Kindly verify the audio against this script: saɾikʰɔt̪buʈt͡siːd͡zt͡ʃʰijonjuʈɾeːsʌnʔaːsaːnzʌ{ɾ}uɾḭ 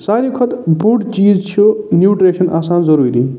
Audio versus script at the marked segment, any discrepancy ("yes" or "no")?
no